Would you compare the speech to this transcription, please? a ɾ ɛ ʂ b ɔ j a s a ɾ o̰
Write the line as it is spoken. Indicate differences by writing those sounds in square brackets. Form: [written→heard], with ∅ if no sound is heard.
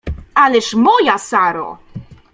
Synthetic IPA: a [ɾ→l] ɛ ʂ [b→m] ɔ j a s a ɾ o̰